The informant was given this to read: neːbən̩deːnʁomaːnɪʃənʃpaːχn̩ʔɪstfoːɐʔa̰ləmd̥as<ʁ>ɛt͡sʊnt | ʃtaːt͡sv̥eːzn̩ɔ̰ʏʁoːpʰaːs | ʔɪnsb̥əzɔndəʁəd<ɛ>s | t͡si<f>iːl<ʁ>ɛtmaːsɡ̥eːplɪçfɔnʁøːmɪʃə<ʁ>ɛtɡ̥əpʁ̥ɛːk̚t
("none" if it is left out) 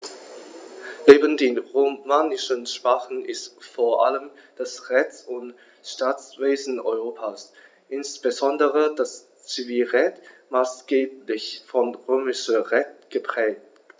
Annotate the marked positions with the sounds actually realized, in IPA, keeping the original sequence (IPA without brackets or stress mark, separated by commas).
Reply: ʁ, a, v, ʁ, ʁ